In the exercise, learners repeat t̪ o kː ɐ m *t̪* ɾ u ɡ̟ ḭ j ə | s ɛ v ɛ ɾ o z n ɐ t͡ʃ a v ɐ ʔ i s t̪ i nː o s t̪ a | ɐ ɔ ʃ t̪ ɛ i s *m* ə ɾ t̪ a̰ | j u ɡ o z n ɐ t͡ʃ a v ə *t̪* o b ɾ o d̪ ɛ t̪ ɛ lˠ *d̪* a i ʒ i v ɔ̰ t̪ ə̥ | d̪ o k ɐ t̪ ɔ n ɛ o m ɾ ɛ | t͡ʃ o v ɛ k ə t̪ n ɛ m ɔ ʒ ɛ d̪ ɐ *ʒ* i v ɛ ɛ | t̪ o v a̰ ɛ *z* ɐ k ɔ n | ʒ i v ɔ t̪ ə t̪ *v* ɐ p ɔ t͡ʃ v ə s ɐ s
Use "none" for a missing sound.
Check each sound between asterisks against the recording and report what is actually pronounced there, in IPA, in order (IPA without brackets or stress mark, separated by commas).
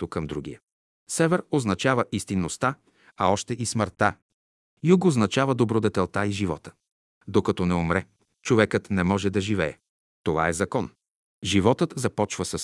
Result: d̪, m, d̪, t̪, ʒ, z, z